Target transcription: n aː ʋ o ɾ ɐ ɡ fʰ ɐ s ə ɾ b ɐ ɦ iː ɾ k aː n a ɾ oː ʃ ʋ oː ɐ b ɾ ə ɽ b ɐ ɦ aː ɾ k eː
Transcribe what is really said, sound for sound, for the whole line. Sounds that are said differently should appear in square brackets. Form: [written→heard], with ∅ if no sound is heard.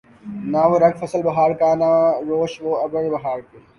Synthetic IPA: n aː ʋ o ɾ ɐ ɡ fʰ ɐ s ə [ɾ→l] b ɐ ɦ [iː→aː] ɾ k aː n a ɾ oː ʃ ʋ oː ɐ b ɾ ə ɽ b ɐ ɦ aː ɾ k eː